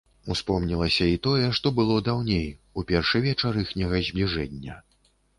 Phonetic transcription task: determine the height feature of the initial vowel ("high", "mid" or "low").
high